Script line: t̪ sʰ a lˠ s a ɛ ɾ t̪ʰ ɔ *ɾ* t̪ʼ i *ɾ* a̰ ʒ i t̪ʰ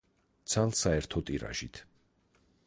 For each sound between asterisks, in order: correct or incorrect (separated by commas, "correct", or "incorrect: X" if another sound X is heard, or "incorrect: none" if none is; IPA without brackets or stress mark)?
incorrect: none, correct